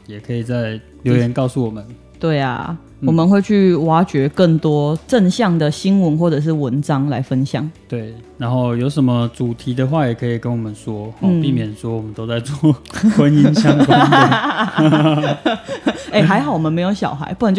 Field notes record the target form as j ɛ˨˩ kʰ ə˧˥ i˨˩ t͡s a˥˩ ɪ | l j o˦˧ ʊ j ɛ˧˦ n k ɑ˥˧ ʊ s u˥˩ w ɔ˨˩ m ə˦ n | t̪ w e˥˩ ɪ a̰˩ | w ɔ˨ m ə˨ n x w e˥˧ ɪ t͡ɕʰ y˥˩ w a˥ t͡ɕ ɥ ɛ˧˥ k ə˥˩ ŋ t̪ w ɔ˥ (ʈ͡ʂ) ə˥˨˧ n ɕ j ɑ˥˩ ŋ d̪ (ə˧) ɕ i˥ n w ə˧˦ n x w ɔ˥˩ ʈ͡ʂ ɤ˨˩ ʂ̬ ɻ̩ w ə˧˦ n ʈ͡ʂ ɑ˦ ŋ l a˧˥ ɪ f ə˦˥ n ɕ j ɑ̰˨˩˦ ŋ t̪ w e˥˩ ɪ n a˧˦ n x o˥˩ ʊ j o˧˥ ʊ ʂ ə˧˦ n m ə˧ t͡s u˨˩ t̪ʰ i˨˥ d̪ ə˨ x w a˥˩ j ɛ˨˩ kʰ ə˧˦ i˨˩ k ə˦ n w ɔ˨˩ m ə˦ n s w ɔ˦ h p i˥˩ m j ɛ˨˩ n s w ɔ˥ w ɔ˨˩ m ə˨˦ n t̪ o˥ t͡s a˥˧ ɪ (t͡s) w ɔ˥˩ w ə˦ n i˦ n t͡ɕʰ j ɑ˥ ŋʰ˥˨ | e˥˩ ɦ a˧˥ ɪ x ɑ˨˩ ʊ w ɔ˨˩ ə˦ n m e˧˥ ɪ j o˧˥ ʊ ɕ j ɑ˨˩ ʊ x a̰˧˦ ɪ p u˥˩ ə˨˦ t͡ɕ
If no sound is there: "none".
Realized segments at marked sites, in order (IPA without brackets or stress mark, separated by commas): ʈ͡ʂ, ə˩, t͡s